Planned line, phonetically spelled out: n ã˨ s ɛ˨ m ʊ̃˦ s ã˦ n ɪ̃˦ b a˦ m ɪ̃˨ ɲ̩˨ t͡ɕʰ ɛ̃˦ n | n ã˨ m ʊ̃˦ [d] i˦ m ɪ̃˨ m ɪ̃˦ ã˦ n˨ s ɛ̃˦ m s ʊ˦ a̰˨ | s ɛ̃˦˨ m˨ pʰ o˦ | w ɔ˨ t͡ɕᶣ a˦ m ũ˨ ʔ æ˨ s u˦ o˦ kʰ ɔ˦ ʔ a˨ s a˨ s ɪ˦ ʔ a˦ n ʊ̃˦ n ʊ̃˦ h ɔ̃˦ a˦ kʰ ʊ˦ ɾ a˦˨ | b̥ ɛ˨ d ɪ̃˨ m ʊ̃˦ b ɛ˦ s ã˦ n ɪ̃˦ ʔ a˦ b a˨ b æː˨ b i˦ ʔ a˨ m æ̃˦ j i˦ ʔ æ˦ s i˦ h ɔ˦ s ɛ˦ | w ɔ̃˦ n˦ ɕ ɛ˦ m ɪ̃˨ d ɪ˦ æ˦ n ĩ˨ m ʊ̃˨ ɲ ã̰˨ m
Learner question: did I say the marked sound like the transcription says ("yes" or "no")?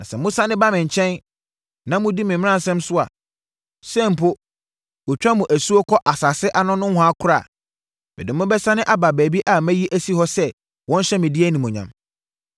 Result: yes